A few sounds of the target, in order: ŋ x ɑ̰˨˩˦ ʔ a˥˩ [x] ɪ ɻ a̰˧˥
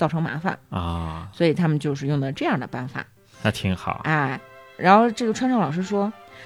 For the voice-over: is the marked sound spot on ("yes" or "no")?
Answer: no